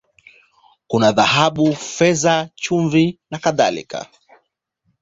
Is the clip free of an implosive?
no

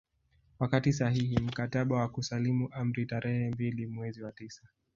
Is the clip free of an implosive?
no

